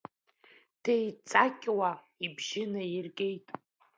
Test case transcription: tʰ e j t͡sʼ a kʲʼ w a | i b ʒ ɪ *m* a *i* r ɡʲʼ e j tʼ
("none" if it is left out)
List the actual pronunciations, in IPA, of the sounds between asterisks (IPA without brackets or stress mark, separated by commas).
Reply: n, i